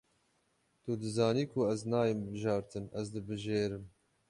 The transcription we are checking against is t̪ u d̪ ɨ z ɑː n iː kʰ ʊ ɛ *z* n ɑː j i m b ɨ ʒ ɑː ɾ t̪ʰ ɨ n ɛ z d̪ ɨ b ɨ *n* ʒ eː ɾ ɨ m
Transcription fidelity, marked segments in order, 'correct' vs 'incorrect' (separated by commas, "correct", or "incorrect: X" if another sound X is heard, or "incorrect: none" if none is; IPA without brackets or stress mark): correct, incorrect: none